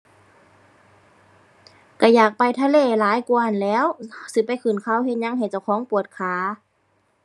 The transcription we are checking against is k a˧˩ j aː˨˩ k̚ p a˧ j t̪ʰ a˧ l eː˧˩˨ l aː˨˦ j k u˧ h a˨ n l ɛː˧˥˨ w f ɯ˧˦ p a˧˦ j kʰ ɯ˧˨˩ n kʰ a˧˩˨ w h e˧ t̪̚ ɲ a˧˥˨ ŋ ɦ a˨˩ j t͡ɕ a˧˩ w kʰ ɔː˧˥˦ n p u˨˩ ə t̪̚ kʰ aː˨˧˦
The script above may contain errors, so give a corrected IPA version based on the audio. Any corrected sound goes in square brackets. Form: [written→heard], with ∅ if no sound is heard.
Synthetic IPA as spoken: k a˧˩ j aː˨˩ k̚ p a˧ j t̪ʰ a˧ l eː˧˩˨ l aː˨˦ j k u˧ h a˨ n l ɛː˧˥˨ w [f→s] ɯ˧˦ p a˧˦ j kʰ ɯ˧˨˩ n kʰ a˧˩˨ w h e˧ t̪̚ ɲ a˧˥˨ ŋ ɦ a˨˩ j t͡ɕ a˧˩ w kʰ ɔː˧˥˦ [n→ŋ] p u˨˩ ə t̪̚ kʰ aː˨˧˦